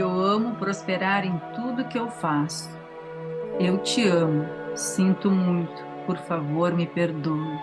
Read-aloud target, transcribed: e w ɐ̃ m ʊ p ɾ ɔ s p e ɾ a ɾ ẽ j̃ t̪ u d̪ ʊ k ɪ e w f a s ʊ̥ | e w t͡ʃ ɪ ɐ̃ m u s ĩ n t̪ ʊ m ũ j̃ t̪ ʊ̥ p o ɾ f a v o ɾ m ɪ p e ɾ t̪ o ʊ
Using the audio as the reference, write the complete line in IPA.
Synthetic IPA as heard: e w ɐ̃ m ʊ p ɾ o s p e ɾ a ɾ ẽ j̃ t̪ u d̪ ʊ k ɪ e w f a s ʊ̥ | e w t͡ʃ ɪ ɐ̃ m ʊ s ĩ n t̪ ʊ m ũ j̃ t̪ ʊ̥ p o ɾ f a v o ɾ m ɪ p e ɾ d̪ o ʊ